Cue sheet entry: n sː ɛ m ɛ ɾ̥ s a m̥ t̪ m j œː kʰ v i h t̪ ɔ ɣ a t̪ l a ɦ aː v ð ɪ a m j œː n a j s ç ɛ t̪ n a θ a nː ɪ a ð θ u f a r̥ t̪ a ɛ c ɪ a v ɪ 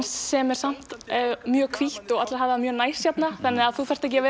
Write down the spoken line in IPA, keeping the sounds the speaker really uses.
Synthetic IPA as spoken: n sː ɛ m ɛ ɾ̥ s a m̥ t̪ m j œː kʰ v i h t̪ ɔ ɣ a t̪ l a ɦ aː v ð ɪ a m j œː n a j s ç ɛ t̪ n a θ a nː ɪ a ð θ u f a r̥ t̪ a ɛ c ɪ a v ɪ